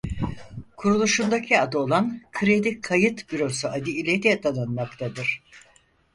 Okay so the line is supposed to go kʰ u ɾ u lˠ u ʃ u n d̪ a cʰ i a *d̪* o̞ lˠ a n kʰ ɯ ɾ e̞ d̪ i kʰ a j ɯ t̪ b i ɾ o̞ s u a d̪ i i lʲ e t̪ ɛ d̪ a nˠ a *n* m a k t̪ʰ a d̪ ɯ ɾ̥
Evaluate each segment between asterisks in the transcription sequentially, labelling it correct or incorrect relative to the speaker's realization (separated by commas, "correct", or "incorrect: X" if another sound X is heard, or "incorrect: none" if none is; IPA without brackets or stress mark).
correct, correct